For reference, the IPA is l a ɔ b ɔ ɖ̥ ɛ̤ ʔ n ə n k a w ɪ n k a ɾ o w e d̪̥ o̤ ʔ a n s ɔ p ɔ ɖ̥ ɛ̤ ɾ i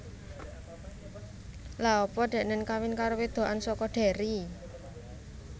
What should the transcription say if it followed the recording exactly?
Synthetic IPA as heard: l a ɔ p ɔ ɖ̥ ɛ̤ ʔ n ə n k a w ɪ n k a ɾ o w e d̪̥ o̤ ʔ a n s ɔ k ɔ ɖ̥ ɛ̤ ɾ i